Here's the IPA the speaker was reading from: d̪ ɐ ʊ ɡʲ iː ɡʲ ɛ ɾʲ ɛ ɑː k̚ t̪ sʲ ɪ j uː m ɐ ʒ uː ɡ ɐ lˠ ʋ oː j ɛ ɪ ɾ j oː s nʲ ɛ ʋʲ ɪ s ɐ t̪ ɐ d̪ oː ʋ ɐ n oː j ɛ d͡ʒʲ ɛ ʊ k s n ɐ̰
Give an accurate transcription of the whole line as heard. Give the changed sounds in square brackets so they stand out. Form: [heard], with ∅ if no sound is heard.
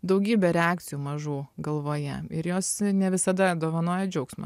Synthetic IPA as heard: d̪ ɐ ʊ ɡʲ iː [bʲ] ɛ ɾʲ ɛ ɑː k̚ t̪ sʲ ɪ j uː m ɐ ʒ uː ɡ ɐ lˠ ʋ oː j ɛ ɪ ɾ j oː s nʲ ɛ ʋʲ ɪ s ɐ [d̪] ɐ d̪ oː ʋ ɐ n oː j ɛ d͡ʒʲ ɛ ʊ k s [m] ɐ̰